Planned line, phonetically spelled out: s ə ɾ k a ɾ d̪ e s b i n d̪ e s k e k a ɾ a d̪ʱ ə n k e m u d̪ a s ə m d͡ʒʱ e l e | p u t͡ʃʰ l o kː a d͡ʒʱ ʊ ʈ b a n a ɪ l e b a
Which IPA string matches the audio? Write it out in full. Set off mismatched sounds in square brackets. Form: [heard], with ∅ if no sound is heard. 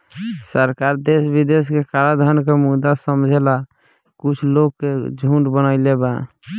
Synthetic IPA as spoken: s ə ɾ k a ɾ d̪ e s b i [∅] d̪ e s k e k a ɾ a d̪ʱ ə n k e m u d̪ a s ə m d͡ʒʱ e l [a] | [k] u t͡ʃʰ l o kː [e] d͡ʒʱ [u] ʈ b [ə] n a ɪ l e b a